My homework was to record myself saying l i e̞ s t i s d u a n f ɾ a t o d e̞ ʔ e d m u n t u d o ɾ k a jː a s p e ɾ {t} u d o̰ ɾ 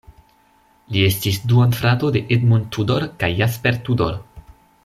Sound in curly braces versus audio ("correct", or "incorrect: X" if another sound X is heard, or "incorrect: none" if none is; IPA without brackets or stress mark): correct